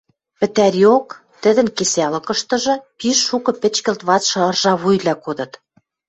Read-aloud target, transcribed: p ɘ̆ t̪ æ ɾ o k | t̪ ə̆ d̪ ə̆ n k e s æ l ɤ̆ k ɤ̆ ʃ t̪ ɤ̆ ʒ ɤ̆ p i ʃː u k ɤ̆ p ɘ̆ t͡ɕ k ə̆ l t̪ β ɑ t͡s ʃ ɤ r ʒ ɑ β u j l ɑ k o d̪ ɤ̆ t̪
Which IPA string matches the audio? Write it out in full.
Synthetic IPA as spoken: p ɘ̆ t̪ æ ɾ o k | t̪ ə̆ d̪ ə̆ n k e s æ l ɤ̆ k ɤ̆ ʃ t̪ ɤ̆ ʒ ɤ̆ p i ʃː u k ɤ̆ p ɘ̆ t͡ɕ k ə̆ l t̪ β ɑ t͡s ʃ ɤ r ʒ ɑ β u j l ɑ k o d̪ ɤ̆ t̪